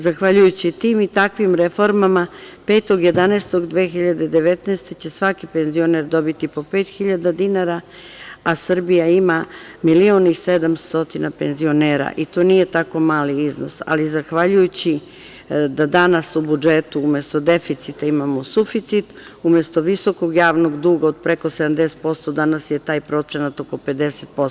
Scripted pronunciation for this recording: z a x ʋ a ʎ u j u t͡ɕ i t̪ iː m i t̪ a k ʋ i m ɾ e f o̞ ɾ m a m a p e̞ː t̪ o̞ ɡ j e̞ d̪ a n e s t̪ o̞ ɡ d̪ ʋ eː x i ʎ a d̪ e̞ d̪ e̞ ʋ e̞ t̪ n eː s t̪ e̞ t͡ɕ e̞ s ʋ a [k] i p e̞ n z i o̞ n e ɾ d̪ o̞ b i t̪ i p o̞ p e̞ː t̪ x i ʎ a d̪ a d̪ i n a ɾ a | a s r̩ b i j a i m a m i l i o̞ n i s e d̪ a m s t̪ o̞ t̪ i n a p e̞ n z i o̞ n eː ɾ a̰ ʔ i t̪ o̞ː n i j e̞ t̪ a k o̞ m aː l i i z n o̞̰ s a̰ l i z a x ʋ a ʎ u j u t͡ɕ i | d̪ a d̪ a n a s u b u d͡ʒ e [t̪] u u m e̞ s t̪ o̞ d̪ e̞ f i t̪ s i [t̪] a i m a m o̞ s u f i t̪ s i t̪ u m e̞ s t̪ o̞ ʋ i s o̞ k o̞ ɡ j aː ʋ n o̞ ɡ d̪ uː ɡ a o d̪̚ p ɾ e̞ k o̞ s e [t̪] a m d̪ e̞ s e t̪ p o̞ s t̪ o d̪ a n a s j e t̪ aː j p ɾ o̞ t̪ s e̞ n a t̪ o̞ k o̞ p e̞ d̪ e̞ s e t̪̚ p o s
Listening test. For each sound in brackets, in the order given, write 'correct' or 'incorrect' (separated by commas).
correct, correct, correct, incorrect